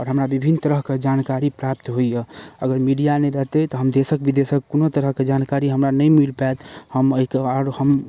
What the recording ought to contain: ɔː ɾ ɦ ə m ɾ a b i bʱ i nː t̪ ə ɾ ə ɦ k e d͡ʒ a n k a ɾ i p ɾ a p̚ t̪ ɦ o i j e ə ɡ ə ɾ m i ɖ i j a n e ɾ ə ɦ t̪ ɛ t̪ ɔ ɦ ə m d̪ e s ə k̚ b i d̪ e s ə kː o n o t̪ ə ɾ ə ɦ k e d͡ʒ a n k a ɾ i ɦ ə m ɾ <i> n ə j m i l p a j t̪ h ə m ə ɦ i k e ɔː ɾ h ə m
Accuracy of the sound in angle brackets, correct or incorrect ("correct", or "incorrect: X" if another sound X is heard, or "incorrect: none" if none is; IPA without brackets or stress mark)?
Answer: incorrect: a